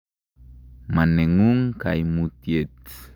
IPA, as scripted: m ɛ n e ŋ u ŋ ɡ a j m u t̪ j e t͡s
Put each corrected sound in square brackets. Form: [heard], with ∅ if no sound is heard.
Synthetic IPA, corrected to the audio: m [a] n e ŋ u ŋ [k] a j m u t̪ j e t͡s